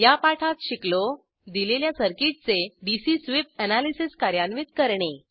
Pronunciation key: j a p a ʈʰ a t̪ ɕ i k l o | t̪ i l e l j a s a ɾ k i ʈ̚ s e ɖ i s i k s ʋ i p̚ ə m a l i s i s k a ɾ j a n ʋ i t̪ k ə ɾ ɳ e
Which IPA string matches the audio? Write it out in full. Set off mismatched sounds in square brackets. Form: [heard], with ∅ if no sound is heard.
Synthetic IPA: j a p a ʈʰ a t̪ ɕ i k l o | [d̪] i l e l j a s [ə] ɾ k i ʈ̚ [t͡s] e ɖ i s i [∅] s ʋ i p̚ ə [n] a l i s i s k a ɾ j a n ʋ i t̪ k ə ɾ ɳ e